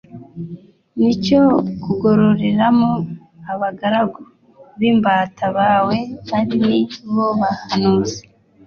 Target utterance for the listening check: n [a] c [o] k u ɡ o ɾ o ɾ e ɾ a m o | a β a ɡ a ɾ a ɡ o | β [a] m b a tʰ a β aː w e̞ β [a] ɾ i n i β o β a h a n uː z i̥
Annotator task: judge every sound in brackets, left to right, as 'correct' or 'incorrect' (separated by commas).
incorrect, correct, incorrect, correct